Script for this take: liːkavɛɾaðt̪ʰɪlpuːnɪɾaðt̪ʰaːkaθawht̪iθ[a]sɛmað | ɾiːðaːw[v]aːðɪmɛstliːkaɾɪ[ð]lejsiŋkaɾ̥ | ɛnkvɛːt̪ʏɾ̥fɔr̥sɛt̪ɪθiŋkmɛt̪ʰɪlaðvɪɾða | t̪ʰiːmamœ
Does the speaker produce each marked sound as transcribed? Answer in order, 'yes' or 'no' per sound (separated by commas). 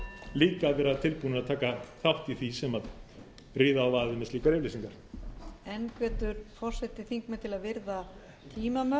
no, yes, no